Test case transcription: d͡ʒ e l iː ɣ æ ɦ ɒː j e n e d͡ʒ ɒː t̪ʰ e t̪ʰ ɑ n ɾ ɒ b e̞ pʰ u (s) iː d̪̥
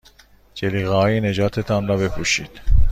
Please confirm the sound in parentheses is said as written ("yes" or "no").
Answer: no